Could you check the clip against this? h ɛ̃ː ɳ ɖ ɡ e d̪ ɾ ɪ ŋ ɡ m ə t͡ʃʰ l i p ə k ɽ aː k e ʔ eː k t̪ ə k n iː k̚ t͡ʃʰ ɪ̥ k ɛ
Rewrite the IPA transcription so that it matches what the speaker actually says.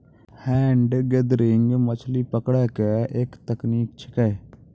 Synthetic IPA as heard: h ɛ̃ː ɳ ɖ ɡ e d̪ ɾ ɪ ŋ ɡ m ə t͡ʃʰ l i p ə k ɽ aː k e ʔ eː k t̪ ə k n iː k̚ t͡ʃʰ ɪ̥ k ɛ